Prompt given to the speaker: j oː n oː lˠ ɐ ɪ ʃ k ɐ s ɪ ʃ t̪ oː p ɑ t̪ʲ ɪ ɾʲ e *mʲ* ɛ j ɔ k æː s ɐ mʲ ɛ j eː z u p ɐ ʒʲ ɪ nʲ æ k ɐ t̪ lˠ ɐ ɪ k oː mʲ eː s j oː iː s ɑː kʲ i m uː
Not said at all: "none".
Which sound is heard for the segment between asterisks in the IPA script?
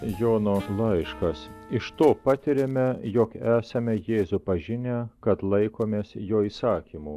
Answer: mʲ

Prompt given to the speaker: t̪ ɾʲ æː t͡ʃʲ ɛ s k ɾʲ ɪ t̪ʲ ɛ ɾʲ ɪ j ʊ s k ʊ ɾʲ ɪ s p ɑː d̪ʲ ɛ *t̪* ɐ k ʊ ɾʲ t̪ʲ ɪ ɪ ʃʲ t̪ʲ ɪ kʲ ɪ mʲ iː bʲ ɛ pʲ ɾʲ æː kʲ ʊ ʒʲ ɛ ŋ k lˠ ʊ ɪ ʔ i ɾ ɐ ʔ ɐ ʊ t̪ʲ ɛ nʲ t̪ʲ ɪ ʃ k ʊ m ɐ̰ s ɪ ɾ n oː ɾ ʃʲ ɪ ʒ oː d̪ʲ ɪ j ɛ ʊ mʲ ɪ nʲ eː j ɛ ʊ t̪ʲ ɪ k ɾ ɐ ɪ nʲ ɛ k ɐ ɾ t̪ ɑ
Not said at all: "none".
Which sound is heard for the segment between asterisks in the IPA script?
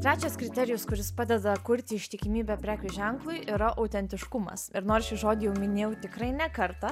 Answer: d̪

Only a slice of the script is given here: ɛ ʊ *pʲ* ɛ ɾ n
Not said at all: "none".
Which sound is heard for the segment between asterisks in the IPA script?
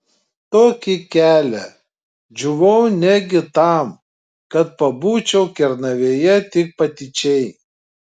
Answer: kʲ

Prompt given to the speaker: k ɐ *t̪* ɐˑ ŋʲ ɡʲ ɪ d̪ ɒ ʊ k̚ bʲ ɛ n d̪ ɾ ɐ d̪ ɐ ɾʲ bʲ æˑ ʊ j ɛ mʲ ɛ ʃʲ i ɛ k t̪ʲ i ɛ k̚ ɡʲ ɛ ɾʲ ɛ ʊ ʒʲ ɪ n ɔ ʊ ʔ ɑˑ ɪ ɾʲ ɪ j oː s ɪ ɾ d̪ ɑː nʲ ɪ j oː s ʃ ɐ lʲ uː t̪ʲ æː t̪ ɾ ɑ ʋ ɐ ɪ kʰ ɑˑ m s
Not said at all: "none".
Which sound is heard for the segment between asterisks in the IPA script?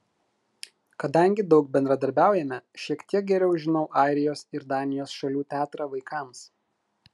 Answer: d̪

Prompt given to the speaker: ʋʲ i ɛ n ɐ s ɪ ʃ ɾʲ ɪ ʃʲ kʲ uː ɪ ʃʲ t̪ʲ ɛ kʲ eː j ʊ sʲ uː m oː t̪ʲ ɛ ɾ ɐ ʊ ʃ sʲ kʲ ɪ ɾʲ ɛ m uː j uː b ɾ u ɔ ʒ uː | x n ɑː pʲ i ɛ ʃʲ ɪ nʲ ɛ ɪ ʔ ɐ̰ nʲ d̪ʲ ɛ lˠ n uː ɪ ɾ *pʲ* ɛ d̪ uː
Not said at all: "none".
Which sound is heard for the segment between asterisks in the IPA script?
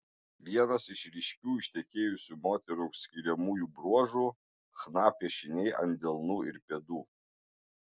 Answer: pʲ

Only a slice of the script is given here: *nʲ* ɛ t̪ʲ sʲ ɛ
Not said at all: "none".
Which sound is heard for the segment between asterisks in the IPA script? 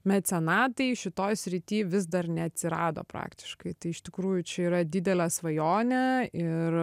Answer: mʲ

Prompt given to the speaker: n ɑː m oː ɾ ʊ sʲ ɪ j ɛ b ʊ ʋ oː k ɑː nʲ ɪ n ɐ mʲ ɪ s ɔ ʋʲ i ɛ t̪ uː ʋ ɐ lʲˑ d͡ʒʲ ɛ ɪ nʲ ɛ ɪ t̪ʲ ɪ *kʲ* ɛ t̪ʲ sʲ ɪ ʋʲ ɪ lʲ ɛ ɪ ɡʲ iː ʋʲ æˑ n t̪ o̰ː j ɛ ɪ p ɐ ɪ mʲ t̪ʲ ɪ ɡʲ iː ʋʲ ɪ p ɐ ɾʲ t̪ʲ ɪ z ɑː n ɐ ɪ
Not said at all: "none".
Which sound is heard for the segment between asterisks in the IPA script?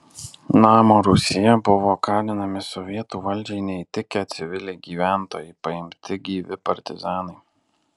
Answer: kʲ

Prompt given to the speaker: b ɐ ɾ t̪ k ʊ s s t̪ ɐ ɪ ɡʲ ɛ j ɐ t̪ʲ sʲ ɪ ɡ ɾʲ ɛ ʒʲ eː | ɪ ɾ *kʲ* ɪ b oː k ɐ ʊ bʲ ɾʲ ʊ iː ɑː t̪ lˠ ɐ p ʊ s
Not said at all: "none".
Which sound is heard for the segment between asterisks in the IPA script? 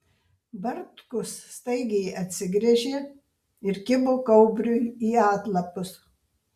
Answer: kʲ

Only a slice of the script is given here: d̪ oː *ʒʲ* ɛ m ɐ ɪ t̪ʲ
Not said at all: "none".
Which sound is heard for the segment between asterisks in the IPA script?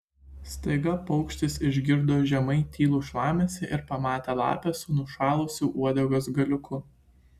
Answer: ʒʲ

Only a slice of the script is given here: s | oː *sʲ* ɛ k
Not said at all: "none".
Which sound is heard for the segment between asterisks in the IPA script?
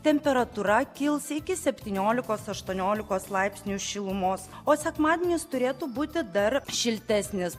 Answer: sʲ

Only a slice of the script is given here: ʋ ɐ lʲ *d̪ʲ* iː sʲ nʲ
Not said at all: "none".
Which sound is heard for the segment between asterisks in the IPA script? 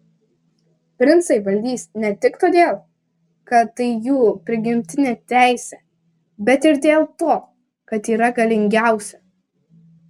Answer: d̪ʲ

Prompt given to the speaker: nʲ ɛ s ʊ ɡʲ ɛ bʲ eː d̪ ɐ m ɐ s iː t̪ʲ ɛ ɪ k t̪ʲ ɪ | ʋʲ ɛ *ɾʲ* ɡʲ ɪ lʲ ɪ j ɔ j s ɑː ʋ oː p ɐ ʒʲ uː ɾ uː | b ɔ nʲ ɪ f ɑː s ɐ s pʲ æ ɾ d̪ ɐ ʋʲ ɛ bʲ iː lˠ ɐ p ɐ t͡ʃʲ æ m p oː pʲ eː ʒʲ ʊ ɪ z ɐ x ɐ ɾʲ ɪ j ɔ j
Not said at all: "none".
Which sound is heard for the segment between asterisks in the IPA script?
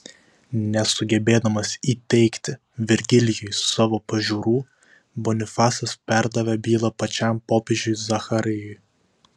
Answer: ɾʲ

